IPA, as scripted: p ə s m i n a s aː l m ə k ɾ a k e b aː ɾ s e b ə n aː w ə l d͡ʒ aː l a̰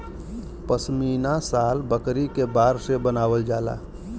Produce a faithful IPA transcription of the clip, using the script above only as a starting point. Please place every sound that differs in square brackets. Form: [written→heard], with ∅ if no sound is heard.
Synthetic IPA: p ə s m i n a s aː l [m→b] ə k ɾ [a→i] k e b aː ɾ s e b ə n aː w ə l d͡ʒ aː l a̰